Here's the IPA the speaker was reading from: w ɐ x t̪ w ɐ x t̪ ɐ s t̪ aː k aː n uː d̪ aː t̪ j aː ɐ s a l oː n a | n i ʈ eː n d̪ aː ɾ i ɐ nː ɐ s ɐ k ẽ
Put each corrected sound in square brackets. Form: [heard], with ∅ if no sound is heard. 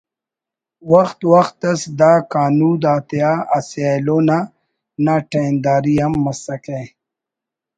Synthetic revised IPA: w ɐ x t̪ w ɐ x t̪ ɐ s [d̪] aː k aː n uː d̪ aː t̪ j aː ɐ s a l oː n a | n [a] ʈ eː n d̪ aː ɾ i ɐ [mː] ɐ s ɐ k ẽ